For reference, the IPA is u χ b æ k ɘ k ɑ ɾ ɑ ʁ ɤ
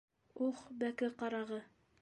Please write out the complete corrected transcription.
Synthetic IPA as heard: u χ b æ k ɘ q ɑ ɾ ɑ ʁ ɤ